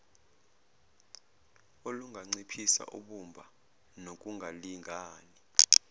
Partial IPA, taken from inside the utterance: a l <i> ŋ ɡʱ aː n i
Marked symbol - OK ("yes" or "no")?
yes